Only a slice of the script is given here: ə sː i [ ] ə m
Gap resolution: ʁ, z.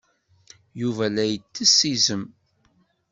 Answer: z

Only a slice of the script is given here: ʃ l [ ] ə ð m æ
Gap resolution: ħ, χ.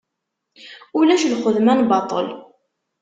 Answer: χ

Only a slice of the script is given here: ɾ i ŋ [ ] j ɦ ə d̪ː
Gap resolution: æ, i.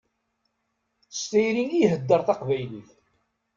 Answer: i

